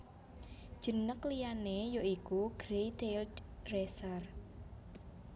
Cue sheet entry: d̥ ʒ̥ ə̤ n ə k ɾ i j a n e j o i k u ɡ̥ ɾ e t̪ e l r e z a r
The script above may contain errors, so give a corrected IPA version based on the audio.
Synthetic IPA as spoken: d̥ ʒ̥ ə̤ n ə k l i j a n e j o i k u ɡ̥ ɾ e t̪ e l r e s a r